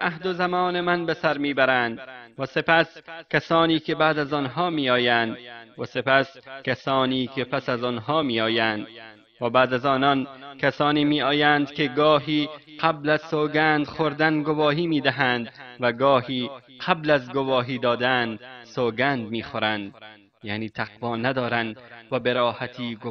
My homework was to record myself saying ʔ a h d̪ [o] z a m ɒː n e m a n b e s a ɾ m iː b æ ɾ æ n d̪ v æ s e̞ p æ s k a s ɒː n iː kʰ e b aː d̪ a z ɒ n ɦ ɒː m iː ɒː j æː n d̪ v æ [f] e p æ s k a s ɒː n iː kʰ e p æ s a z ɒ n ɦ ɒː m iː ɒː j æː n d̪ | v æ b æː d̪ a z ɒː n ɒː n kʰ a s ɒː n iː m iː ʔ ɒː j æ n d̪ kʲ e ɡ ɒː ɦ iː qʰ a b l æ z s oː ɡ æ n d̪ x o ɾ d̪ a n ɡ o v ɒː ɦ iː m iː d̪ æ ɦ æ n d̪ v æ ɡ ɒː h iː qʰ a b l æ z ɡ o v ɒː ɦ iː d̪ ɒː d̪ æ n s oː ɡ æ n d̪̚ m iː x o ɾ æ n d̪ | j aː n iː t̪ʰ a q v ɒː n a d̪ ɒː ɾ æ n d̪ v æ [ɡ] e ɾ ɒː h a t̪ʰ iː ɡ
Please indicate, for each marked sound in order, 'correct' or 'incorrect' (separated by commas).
correct, incorrect, incorrect